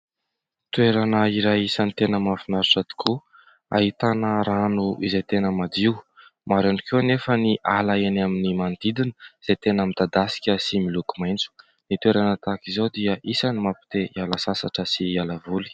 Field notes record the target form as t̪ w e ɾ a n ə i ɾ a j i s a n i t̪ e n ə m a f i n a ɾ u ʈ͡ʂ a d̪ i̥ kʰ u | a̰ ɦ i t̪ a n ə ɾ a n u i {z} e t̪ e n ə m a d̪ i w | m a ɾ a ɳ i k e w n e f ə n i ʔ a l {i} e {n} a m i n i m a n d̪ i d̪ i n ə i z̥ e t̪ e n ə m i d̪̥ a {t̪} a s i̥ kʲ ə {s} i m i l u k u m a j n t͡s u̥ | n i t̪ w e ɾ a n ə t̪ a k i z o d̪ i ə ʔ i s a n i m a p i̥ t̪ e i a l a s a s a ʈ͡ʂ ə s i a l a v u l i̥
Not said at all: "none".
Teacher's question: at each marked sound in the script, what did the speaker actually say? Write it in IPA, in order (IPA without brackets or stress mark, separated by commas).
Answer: z, a, n, d̪, s